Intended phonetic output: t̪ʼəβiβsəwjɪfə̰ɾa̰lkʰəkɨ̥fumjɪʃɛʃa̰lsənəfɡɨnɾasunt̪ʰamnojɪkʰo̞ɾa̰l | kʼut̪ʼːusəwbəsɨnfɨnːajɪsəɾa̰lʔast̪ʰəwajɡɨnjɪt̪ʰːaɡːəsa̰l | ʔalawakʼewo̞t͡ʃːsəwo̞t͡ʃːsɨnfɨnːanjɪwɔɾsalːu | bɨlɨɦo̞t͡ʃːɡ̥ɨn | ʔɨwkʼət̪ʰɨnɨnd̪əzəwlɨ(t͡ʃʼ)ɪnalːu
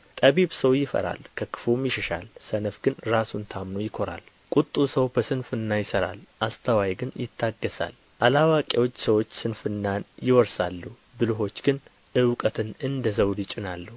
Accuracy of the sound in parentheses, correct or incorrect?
correct